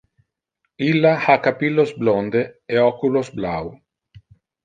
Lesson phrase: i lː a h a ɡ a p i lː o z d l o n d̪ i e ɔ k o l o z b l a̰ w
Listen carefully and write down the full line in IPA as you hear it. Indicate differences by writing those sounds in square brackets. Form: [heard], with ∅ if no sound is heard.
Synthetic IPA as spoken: i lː a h a [k] a p i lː o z [b] l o n d̪ [e] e ɔ k [u] l o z b l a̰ w